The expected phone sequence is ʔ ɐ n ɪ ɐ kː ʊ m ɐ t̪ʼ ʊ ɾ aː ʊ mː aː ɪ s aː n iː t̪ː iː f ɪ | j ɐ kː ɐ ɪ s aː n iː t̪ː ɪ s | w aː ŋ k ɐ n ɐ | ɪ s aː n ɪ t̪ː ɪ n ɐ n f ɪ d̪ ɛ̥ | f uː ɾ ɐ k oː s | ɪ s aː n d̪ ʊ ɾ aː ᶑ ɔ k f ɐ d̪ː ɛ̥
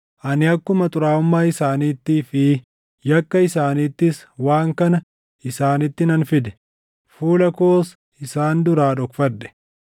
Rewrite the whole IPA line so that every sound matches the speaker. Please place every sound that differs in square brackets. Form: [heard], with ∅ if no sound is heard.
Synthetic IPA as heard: ʔ ɐ n ɪ ɐ kː ʊ m ɐ t̪ʼ ʊ ɾ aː ʊ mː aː ɪ s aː n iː t̪ː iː f ɪ | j ɐ kː ɐ ɪ s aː n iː t̪ː ɪ s | w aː ŋ k ɐ n ɐ | ɪ s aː n ɪ t̪ː ɪ n ɐ n f ɪ d̪ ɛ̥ | f uː [l] ɐ k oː s | ɪ s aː n d̪ ʊ ɾ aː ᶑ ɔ k f ɐ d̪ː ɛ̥